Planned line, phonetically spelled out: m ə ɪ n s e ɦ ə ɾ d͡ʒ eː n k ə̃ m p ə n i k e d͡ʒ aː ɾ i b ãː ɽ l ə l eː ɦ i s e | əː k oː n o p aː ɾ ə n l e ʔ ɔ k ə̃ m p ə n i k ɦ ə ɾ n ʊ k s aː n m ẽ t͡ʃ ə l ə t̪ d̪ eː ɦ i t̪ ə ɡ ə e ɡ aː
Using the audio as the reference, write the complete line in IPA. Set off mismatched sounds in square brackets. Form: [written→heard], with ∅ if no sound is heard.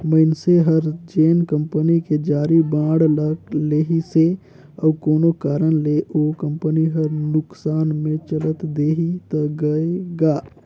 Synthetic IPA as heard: m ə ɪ n s e ɦ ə ɾ d͡ʒ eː n k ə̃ m p ə n i k e d͡ʒ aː ɾ i b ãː ɽ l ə l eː ɦ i s e | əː k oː n o [p→k] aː ɾ ə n l e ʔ [ɔ→o] k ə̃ m p ə n i [k→∅] ɦ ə ɾ n ʊ k s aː n m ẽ t͡ʃ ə l ə t̪ d̪ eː ɦ i t̪ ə ɡ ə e ɡ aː